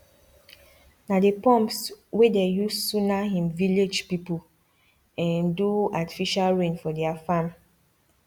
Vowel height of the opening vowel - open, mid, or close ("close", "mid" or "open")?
open